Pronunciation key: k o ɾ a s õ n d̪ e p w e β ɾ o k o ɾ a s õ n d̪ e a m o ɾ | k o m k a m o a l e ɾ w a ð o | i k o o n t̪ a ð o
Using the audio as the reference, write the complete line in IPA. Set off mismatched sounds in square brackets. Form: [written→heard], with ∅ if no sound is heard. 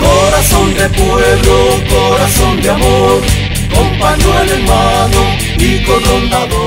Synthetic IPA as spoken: k o ɾ a s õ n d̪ e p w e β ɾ o k o ɾ a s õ n d̪ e a m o ɾ | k o m [k→p] a [m→ɲ] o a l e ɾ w a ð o | i k o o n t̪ a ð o